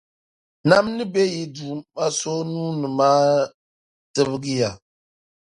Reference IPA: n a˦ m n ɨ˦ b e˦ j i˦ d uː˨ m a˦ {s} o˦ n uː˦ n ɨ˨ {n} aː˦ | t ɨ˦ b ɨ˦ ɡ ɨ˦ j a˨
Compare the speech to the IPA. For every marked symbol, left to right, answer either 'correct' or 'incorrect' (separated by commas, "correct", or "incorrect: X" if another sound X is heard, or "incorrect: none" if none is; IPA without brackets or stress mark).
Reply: correct, incorrect: m